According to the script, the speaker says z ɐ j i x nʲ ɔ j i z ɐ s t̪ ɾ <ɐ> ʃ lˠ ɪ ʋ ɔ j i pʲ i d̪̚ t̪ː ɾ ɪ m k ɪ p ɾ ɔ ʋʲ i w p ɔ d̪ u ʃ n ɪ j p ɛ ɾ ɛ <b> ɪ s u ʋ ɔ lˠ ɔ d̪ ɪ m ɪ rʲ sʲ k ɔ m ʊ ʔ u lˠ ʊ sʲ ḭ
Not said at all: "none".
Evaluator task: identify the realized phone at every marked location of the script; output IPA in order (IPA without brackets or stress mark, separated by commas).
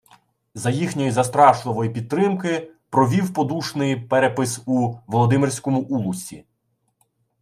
ɑ, p